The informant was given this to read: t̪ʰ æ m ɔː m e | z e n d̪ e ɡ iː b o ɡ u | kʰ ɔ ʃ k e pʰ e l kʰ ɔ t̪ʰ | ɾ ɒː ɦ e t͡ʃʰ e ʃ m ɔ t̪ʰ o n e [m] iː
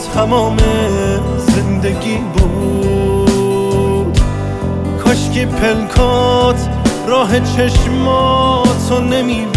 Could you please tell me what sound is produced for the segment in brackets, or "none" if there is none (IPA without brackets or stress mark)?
m